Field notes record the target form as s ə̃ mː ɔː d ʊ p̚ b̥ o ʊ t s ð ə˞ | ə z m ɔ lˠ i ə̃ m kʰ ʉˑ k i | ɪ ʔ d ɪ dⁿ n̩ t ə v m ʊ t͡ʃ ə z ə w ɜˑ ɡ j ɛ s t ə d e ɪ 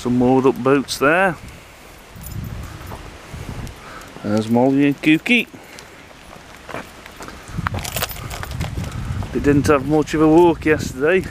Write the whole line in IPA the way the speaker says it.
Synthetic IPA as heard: s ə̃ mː ɔː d ʊ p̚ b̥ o ʊ t s ð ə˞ | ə z m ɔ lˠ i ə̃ n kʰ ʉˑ k i | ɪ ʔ d ɪ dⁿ n̩ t ə v m ʊ t͡ʃ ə v ə w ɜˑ k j ɛ s t ə d e ɪ